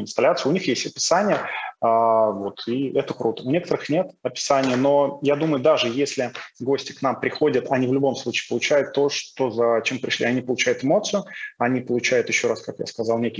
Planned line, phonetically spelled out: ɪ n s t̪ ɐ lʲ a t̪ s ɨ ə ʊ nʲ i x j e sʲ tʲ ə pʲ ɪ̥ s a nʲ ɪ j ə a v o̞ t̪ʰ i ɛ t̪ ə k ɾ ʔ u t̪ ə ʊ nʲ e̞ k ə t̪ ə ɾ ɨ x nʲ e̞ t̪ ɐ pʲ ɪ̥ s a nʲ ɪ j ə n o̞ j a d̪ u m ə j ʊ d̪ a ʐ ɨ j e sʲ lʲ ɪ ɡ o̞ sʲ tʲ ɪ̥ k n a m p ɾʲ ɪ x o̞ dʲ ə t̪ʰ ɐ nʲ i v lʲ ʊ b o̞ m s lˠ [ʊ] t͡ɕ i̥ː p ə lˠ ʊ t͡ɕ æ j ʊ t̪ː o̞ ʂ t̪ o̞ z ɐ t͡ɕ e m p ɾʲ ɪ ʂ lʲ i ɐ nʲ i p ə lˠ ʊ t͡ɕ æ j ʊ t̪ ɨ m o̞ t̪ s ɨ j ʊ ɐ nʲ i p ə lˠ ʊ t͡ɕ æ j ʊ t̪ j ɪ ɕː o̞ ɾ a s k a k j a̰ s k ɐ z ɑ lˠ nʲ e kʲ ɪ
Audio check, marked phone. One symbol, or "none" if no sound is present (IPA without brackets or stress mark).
u